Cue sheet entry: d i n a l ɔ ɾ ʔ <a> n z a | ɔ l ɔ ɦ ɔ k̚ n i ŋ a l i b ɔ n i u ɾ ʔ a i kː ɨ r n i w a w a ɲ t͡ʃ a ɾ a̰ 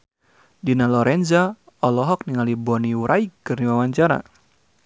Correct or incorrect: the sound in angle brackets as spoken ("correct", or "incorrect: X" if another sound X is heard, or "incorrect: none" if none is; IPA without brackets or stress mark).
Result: incorrect: ɛ